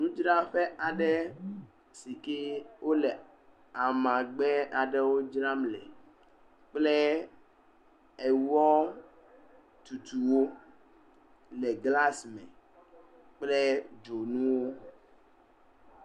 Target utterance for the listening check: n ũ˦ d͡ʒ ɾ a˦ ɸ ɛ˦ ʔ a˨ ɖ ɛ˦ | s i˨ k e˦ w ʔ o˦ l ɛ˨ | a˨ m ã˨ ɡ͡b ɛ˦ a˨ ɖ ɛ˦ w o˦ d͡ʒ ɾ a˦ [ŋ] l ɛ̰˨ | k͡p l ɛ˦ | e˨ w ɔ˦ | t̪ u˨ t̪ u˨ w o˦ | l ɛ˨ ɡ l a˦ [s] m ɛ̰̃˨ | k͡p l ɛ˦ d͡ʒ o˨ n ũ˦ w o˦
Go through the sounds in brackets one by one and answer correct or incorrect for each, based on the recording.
incorrect, correct

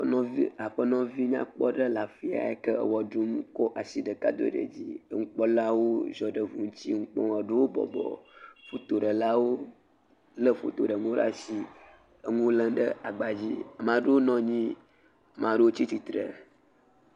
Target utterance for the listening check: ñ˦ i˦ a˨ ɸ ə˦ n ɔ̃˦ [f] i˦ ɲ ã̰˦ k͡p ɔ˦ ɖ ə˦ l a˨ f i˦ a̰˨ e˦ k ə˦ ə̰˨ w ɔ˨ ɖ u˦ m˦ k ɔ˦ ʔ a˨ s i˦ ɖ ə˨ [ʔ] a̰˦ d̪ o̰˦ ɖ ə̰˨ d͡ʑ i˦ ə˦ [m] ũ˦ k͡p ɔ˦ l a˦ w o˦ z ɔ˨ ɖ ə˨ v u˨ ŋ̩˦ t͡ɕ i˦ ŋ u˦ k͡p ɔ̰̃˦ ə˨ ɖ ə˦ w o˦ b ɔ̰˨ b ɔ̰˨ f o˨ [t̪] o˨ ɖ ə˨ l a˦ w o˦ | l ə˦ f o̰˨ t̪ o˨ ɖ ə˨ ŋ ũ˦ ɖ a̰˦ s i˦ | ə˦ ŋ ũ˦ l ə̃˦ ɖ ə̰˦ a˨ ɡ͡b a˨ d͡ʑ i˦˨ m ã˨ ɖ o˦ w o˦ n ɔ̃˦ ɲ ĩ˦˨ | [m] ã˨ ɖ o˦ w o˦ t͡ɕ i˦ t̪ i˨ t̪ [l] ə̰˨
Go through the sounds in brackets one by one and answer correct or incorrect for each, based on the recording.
incorrect, incorrect, incorrect, correct, correct, incorrect

